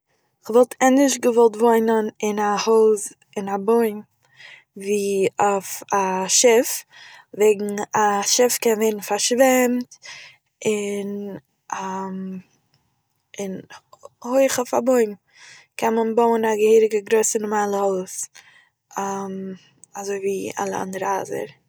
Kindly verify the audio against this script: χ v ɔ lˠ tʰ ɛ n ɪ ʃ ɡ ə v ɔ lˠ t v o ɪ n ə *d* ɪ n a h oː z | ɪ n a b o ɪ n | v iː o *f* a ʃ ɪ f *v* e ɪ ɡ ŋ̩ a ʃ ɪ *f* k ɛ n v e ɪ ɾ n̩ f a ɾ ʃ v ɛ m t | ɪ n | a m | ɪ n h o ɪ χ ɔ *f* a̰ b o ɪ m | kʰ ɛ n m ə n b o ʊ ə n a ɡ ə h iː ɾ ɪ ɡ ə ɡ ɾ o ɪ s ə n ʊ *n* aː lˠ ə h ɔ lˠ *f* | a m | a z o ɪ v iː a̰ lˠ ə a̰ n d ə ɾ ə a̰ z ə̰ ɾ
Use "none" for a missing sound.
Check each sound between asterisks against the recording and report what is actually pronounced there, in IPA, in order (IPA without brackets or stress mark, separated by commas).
n, f, v, f, f, m, s